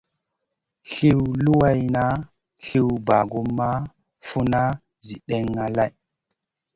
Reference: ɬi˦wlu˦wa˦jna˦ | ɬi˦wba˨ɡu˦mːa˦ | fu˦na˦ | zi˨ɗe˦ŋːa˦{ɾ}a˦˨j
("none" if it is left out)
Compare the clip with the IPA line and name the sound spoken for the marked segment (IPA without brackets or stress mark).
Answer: l